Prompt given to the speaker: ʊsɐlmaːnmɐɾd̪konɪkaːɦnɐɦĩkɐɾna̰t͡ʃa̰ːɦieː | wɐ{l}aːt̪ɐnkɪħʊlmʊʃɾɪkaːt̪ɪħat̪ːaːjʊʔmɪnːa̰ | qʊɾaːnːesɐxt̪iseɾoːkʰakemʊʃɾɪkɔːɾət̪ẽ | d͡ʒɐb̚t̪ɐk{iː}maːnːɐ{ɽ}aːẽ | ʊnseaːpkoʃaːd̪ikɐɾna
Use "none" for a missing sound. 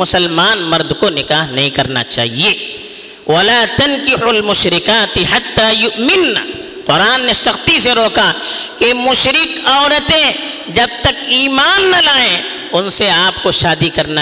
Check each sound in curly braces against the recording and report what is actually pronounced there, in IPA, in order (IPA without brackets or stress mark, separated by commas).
l, iː, l